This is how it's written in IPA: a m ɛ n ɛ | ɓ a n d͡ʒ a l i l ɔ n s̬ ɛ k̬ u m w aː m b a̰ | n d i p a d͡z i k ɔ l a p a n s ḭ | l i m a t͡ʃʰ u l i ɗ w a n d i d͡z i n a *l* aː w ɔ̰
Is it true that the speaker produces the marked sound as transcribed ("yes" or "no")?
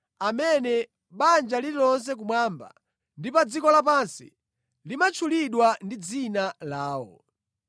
yes